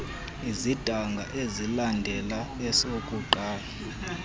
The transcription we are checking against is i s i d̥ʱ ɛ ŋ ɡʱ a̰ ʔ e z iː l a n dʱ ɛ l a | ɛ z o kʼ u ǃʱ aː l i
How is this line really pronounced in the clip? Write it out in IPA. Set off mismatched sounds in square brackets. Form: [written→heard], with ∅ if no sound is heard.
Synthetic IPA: i [s→z] i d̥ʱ [ɛ→a] ŋ ɡʱ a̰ ʔ e z [iː→i] l a n dʱ ɛ l a | ɛ [z→s] o kʼ u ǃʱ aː l [i→a]